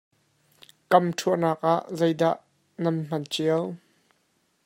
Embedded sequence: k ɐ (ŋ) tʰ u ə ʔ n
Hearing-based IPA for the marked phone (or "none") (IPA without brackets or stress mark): m